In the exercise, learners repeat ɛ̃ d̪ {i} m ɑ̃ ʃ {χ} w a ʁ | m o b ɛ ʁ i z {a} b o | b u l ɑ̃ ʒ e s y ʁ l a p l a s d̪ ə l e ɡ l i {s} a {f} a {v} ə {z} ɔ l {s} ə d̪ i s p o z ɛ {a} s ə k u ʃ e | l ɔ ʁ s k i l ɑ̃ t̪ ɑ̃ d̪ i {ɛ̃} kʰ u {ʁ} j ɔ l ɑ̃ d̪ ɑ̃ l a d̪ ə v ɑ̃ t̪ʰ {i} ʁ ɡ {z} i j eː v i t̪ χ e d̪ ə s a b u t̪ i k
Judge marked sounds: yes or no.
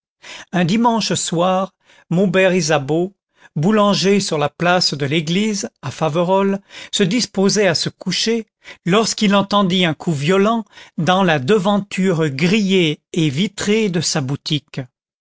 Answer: yes, no, yes, no, yes, yes, no, yes, yes, yes, no, no, no

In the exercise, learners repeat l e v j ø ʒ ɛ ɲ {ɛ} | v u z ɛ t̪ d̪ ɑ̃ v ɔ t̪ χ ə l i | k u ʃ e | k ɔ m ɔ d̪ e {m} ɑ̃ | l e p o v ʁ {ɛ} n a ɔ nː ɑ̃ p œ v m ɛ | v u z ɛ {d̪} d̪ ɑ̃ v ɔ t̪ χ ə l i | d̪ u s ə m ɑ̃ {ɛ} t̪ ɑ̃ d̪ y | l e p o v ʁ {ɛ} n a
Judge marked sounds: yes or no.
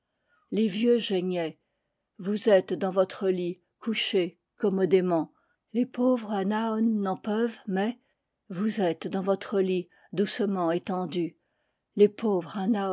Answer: yes, yes, no, no, no, no

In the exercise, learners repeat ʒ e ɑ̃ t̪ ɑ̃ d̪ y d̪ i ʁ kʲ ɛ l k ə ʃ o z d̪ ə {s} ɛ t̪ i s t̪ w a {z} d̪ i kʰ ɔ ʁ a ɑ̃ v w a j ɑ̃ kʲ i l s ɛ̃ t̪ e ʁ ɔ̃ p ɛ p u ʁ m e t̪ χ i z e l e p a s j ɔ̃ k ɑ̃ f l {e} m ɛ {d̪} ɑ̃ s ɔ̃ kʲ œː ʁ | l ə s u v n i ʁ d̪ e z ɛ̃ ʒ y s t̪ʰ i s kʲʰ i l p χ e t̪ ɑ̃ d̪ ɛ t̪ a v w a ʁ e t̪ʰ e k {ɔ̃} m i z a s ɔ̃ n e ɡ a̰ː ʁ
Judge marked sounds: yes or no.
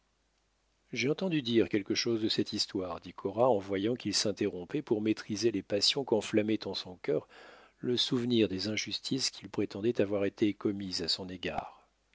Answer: yes, no, no, no, no

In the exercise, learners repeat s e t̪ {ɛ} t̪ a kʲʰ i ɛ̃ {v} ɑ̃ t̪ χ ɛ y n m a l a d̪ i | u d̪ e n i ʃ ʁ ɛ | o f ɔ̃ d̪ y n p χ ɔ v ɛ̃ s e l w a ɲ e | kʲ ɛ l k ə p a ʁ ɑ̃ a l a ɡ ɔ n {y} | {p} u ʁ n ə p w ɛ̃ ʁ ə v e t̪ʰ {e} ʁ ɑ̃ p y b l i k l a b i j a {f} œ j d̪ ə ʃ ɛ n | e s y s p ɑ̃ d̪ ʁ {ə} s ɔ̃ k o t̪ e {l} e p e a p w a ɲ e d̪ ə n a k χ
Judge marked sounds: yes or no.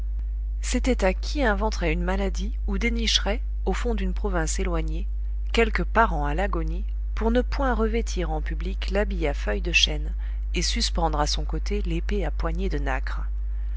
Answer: yes, yes, no, yes, no, yes, no, yes

